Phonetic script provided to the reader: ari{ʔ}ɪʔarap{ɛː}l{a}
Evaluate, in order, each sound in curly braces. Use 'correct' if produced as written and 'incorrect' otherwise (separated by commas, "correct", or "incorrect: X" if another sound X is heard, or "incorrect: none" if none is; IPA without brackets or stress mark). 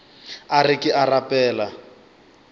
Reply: incorrect: k, correct, correct